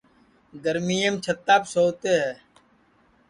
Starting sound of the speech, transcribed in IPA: ɡ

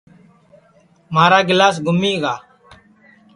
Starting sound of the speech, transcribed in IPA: m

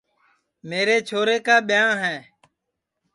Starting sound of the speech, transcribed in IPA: m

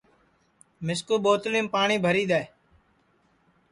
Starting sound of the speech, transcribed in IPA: m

